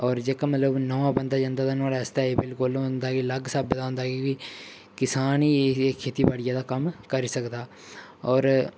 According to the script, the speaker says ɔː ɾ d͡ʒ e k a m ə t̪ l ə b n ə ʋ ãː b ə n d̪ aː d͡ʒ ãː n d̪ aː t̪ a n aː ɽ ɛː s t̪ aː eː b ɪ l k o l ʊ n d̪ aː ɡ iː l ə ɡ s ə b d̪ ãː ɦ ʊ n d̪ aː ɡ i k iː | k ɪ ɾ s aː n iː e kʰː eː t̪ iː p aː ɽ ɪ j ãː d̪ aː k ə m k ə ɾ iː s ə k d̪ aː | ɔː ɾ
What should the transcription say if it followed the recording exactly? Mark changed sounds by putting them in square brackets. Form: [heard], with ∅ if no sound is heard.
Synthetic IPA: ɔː ɾ d͡ʒ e k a m ə t̪ l ə b n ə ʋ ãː b ə n d̪ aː d͡ʒ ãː n d̪ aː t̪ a n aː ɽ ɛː s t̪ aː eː b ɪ l k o l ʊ n d̪ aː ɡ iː l ə ɡ s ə b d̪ [aː] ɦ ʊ n d̪ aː ɡ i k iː | k ɪ [∅] s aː n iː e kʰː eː t̪ iː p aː ɽ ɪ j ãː d̪ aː k ə m k ə ɾ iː s ə k d̪ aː | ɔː ɾ